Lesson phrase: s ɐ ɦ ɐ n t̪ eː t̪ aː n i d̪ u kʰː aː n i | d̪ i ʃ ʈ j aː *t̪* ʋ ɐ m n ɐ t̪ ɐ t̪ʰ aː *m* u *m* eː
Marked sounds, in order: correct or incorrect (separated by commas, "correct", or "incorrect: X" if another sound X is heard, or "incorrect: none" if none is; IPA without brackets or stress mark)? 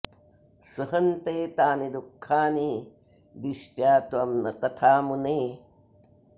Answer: correct, correct, incorrect: n